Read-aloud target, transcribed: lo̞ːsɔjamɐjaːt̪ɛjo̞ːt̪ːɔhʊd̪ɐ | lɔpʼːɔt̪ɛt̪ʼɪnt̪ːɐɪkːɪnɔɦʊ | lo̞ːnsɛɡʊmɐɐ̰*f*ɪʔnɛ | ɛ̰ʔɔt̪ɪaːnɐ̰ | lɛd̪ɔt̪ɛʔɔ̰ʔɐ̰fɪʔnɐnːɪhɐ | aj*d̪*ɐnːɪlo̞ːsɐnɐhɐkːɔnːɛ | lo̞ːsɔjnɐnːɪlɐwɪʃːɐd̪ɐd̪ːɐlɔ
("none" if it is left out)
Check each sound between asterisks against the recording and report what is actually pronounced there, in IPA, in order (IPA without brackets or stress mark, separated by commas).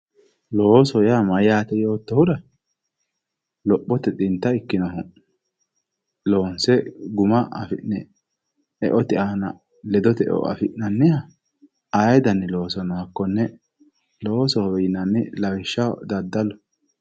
f, d̪